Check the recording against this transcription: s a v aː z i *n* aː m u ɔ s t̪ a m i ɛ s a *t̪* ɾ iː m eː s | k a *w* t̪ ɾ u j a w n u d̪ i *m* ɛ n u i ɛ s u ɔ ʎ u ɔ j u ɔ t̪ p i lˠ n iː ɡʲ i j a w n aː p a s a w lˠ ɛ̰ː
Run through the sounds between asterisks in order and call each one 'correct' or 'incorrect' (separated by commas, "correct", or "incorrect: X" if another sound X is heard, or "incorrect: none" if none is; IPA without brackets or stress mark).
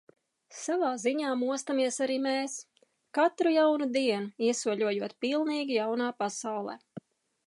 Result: incorrect: ɲ, incorrect: none, incorrect: none, incorrect: none